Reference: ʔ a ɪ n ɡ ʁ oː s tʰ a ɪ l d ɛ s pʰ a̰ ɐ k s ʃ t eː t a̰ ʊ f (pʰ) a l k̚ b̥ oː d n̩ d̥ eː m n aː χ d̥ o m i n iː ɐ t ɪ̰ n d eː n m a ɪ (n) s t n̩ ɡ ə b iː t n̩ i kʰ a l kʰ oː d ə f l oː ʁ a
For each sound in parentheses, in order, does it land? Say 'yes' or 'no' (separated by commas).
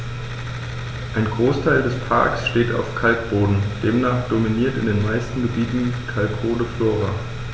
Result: no, no